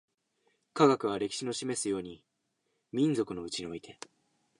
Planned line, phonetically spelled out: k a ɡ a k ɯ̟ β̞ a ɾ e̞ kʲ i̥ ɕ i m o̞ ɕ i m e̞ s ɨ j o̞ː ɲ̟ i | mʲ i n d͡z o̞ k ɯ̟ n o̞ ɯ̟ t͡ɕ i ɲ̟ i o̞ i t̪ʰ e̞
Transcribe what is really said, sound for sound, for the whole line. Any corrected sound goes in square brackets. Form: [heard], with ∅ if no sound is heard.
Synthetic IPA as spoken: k a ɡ a k ɯ̟ β̞ a ɾ e̞ kʲ i̥ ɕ i [n] o̞ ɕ i m e̞ s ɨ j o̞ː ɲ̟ i | mʲ [ĩ] n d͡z o̞ k ɯ̟ n o̞ ɯ̟ t͡ɕ i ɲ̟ i o̞ i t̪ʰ e̞